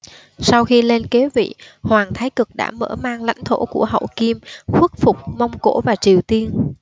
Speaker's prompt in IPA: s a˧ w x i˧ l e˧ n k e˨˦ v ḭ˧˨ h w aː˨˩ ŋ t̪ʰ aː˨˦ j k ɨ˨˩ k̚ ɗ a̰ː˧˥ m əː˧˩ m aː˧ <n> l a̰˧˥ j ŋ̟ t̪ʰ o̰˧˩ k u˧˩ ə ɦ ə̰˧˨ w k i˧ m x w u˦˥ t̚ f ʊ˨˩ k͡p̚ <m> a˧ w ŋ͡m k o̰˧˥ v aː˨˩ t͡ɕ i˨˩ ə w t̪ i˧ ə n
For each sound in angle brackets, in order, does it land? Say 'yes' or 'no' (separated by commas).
no, yes